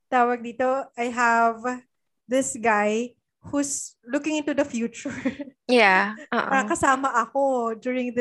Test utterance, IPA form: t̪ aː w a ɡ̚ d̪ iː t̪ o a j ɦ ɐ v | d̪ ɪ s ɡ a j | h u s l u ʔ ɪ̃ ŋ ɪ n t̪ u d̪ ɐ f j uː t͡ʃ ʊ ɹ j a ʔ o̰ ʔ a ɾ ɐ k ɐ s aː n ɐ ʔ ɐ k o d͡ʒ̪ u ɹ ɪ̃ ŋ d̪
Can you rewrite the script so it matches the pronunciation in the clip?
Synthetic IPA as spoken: t̪ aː w ɐ ɡ̚ d̪ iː t̪ o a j ɦ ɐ v | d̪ ɪ s ɡ a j | h u s l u k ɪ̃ ŋ ɪ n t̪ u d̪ ɐ f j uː t͡ʃ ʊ ɹ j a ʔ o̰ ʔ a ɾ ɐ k ɐ s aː m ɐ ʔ ɐ k o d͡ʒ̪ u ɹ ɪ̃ ŋ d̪